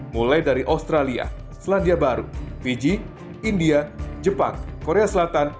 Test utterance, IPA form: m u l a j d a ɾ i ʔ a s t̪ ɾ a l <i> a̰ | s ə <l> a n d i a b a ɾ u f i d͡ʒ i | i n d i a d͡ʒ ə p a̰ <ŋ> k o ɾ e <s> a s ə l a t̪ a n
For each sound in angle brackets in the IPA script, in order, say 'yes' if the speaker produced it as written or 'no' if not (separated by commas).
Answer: yes, yes, yes, no